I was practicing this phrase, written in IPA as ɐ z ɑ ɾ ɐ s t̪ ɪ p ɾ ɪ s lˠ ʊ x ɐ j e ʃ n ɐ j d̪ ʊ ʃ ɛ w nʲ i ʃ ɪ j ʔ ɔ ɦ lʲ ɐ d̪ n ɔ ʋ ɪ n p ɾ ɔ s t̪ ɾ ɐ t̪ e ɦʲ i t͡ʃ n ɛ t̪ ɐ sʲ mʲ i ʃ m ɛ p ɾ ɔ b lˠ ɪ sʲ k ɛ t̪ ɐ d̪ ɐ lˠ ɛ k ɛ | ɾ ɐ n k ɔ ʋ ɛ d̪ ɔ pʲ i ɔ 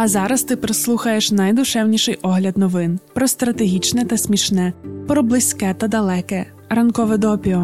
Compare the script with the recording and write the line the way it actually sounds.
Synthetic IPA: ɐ z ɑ ɾ ɐ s t̪ ɪ p ɾ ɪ s lˠ u x ɐ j e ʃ n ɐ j d̪ ʊ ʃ ɛ w nʲ i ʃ ɪ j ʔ ɔ ɦ lʲ ɐ d̪ n ɔ ʋ ɪ n p ɾ ɔ s t̪ ɾ ɐ t̪ e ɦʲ i t͡ʃ n ɛ t̪ ɐ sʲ mʲ i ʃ n ɛ p ɾ ɔ b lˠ ɪ sʲ k ɛ t̪ ɐ d̪ ɐ lˠ ɛ k ɛ | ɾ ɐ n k ɔ ʋ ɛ d̪ ɔ pʲ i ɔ